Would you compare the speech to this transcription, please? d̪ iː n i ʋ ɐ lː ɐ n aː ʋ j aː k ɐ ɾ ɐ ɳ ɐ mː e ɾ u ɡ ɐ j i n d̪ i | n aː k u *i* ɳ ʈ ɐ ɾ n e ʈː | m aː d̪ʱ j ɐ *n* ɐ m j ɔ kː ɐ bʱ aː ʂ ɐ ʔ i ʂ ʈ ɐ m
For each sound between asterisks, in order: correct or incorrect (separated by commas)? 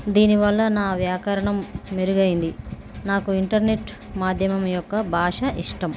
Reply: correct, incorrect